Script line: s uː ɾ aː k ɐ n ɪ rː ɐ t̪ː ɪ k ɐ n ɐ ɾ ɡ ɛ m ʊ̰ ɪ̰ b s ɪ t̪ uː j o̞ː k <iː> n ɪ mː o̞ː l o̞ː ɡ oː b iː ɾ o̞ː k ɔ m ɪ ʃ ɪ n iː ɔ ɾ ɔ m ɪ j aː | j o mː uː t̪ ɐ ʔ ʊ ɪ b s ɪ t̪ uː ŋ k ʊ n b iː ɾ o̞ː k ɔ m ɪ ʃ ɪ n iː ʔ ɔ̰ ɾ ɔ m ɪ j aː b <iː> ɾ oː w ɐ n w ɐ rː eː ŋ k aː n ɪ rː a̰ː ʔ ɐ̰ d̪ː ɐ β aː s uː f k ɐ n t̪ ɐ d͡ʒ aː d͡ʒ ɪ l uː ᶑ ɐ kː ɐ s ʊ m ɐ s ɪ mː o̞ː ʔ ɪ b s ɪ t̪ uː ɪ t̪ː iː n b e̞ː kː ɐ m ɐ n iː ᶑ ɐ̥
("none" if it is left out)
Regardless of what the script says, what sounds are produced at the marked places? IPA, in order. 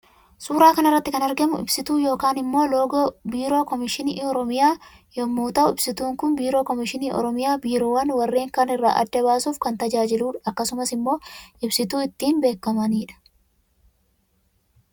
aː, iː

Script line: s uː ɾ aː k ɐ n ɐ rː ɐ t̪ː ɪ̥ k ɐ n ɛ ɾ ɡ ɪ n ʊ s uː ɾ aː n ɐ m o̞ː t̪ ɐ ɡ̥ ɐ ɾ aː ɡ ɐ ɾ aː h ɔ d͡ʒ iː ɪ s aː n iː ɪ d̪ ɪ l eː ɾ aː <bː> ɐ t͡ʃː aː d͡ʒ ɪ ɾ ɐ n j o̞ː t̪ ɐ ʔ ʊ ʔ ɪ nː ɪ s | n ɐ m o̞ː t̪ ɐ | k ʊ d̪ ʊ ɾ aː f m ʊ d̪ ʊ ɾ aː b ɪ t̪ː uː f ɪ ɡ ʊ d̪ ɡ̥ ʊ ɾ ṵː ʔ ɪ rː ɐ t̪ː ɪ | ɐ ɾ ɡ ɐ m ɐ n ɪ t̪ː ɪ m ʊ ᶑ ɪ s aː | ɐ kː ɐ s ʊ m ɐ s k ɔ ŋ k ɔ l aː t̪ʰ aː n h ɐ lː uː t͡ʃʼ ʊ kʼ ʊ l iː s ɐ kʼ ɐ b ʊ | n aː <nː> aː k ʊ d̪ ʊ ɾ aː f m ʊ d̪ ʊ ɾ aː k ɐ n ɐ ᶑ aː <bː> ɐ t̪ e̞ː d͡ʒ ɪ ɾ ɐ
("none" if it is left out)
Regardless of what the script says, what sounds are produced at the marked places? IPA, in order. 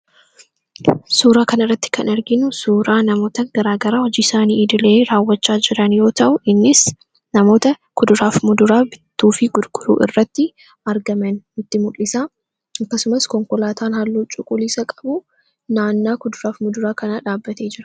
wː, nː, bː

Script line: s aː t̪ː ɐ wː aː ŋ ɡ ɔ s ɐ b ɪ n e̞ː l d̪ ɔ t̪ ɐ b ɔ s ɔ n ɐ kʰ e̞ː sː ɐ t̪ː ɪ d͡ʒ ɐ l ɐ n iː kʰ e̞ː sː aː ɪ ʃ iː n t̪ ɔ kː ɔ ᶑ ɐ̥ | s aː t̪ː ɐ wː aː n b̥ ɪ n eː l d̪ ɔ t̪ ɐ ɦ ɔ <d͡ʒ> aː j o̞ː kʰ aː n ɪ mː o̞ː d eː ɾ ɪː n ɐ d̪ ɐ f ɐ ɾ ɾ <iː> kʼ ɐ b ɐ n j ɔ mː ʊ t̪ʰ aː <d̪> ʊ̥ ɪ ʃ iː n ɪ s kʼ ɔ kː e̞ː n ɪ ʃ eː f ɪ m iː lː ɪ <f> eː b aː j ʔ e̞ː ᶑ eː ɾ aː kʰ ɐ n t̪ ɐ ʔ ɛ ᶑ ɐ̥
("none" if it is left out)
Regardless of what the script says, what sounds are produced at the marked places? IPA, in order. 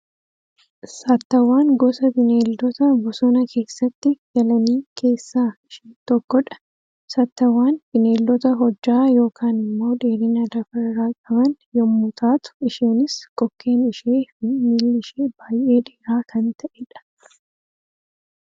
d͡ʒː, aː, t̪, ʃ

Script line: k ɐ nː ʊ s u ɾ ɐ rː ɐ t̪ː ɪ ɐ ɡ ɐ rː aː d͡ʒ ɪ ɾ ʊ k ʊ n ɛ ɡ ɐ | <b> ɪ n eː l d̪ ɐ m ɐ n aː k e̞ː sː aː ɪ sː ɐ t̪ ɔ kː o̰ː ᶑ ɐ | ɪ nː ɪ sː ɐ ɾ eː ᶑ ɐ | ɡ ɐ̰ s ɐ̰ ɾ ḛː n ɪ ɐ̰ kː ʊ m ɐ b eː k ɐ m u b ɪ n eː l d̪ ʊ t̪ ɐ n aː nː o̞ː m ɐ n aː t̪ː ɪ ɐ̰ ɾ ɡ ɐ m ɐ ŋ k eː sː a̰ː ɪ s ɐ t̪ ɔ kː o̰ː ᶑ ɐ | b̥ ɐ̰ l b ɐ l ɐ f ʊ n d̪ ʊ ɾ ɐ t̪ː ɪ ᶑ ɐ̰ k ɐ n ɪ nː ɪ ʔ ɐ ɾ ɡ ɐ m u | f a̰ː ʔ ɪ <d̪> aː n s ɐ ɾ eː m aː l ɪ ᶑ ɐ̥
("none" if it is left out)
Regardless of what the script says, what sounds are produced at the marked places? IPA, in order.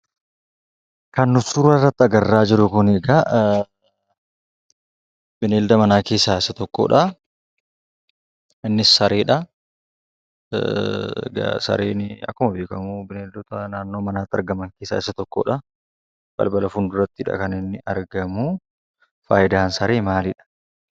b, d̪

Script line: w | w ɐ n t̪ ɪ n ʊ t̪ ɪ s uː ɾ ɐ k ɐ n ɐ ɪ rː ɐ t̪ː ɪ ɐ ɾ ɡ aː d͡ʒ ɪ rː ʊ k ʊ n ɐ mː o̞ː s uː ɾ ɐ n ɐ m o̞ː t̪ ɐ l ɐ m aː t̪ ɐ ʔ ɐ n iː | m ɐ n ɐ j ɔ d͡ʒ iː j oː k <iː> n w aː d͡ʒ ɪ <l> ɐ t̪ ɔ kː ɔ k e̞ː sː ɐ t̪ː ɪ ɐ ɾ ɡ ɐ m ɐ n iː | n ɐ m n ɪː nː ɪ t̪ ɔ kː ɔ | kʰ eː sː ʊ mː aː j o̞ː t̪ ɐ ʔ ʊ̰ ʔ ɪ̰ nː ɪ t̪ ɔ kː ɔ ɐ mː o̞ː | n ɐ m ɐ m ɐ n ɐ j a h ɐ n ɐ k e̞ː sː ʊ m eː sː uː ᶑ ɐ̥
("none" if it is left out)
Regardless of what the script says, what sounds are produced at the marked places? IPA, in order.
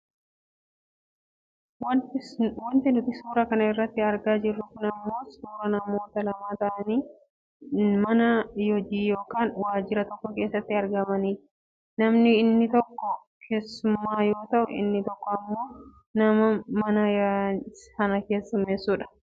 aː, ɾ

